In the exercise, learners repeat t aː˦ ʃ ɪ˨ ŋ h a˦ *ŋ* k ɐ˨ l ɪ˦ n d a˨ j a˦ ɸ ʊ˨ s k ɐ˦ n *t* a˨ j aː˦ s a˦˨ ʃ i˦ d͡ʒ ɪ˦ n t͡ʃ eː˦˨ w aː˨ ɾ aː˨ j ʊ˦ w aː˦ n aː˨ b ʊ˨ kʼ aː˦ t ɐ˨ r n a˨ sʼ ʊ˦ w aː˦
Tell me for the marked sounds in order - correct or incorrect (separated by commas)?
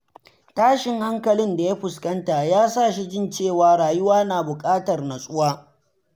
correct, correct